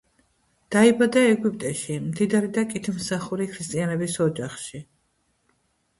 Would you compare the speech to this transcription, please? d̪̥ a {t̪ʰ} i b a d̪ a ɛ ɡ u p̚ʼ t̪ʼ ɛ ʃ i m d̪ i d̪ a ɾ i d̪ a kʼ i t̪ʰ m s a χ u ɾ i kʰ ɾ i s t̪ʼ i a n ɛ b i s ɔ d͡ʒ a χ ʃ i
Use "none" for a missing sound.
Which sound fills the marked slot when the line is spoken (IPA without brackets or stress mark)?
none